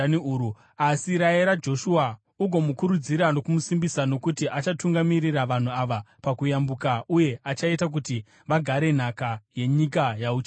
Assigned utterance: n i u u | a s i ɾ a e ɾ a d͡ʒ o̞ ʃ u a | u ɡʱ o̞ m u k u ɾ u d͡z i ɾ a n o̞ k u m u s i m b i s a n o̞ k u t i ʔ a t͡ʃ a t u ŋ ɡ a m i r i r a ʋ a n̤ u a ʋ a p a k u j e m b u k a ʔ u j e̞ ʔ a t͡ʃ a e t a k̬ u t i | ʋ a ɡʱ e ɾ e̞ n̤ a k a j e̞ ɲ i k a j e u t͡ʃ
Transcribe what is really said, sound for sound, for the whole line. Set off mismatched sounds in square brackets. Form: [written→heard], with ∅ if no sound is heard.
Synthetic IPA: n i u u | a s i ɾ a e ɾ a d͡ʒ o̞ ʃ u a | u ɡʱ o̞ m u k u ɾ u d͡z i ɾ a n o̞ k u m u s i m b i s a n o̞ k u t i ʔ a t͡ʃ a t u ŋ ɡ a m i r i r a ʋ a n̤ u a ʋ a p a k u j [e→a] m b u k a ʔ u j e̞ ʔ a t͡ʃ a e t a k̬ u t i | ʋ a ɡʱ [e→a] ɾ e̞ n̤ a k a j e̞ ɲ i k a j [e→a] u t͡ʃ

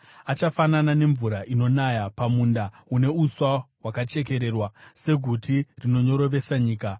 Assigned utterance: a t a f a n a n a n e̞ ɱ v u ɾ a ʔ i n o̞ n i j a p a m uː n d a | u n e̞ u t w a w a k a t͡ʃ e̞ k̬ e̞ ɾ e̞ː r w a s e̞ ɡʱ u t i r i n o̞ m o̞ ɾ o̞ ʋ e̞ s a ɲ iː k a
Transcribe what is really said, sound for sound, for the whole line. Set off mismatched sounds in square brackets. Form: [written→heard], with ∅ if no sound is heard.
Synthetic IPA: a [t→t͡ʃ] a f a n a n a n e̞ ɱ v u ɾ a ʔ i n o̞ n [i→a] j a p a m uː n d a | u n e̞ u [t→s] w a w a k a t͡ʃ e̞ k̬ e̞ ɾ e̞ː r w a s e̞ ɡʱ u t i r i n o̞ [m→ɲ] o̞ ɾ o̞ ʋ e̞ s a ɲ iː k a

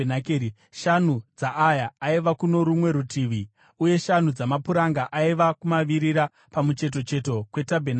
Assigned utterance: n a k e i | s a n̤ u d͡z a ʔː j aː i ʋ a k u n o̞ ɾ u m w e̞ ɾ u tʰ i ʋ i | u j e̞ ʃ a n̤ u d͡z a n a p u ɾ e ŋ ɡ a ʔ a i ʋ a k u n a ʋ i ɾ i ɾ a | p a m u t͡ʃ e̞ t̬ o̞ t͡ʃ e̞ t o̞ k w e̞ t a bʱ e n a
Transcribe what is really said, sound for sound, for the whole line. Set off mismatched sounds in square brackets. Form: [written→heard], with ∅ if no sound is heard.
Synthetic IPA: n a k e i | [s→ʃ] a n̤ u d͡z a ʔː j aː i ʋ a k u n o̞ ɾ u m w e̞ ɾ u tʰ i ʋ i | u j e̞ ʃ a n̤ u d͡z a [n→m] a p u ɾ [e→a] ŋ ɡ a ʔ a i ʋ a k u [n→m] a ʋ i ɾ i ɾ a | p a m u t͡ʃ e̞ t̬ o̞ t͡ʃ e̞ t o̞ k w e̞ t a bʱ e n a

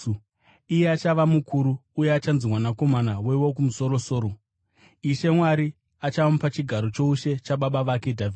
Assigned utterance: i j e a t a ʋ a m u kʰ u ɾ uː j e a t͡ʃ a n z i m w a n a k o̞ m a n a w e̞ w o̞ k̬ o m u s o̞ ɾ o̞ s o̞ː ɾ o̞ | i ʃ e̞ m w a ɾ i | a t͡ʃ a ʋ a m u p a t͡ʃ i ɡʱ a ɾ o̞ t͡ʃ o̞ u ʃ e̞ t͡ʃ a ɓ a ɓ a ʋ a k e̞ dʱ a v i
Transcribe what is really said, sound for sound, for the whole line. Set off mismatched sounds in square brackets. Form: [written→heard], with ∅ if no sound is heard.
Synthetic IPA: i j e a [t→t͡ʃ] a ʋ a m u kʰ u ɾ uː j e a t͡ʃ a n z i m w a n a k o̞ m a n a w e̞ w o̞ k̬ [o→u] m u s o̞ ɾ o̞ s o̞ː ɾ o̞ | i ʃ e̞ m w a ɾ i | a t͡ʃ a ʋ a m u p a t͡ʃ i ɡʱ a ɾ o̞ t͡ʃ o̞ u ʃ e̞ t͡ʃ a ɓ a ɓ a ʋ a k e̞ dʱ a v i

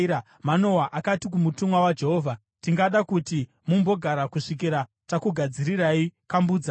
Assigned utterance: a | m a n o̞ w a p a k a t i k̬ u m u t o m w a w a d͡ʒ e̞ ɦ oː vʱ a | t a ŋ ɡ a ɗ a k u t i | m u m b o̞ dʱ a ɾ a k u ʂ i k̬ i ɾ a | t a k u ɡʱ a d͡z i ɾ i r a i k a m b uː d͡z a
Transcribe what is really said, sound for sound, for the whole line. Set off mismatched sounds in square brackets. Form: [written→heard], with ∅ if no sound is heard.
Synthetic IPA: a | m a n o̞ w a [p→ʔ] a k a t i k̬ u m u t [o→u] m w a w a d͡ʒ e̞ ɦ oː vʱ a | t [a→i] ŋ ɡ a ɗ a k u t i | m u m b o̞ [dʱ→ɡʱ] a ɾ a k u ʂ i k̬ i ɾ a | t a k u ɡʱ a d͡z i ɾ i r a i k a m b uː d͡z a

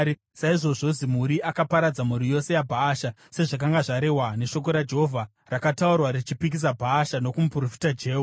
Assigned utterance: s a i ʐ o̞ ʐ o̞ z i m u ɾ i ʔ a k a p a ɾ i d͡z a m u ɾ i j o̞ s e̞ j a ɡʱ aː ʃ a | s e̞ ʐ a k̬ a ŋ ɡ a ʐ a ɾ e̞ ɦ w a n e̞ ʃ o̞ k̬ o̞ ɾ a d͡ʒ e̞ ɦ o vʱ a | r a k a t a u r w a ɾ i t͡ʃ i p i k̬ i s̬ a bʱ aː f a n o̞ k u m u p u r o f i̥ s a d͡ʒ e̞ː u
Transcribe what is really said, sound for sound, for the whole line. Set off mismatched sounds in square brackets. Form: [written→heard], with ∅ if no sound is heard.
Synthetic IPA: s a i ʐ o̞ ʐ o̞ z i m u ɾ i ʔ a k a p a ɾ [i→a] d͡z a m u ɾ i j o̞ s e̞ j a [ɡʱ→bʱ] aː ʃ a | s e̞ ʐ a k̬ a ŋ ɡ a ʐ a ɾ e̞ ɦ w a n e̞ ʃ o̞ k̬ o̞ ɾ a d͡ʒ e̞ ɦ o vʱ a | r a k a t a u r w a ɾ i t͡ʃ i p i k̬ i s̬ a bʱ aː [f→ʃ] a n o̞ k u m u p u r o f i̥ [s→t] a d͡ʒ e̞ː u

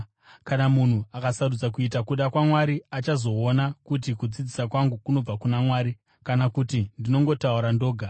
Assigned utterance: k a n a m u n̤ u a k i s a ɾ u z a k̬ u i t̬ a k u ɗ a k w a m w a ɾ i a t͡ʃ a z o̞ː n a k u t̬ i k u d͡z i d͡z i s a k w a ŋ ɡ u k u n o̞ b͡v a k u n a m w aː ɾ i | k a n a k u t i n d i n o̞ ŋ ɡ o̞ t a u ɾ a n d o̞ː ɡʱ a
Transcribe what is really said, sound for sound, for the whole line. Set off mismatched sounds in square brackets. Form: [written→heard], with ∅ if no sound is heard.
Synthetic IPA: k a n a m u n̤ u a k [i→a] s a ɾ u [z→d͡z] a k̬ u i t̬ a k u ɗ a k w a m w a ɾ i a t͡ʃ a z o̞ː n a k u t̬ i k u d͡z i d͡z i s a k w a ŋ ɡ u k u n o̞ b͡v a k u n a m w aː ɾ i | k a n a k u t i n d i n o̞ ŋ ɡ o̞ t a u ɾ a n d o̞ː ɡʱ a

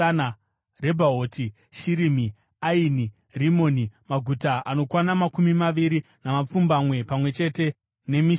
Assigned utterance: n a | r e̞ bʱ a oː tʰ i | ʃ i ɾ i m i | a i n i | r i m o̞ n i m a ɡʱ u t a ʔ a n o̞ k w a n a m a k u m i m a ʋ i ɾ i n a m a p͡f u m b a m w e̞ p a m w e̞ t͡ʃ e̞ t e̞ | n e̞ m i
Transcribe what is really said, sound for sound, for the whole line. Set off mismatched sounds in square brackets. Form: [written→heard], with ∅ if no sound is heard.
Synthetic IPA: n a | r e̞ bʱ a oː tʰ i | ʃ i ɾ i m i | a i n i | r i m o̞ n i m a ɡʱ u t a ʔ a n o̞ k w a n a m a k u m i m a ʋ i ɾ i n a m a p͡f u m b a m w e̞ p a m w e̞ t͡ʃ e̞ t e̞ | n e̞ m i

